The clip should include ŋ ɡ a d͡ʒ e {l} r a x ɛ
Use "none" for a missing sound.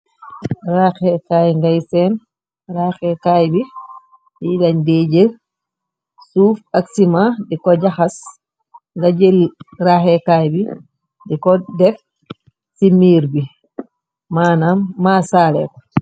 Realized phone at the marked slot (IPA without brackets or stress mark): l